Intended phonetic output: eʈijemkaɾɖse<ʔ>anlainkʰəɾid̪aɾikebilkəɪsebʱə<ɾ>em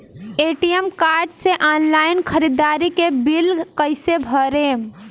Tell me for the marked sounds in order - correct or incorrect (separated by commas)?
correct, correct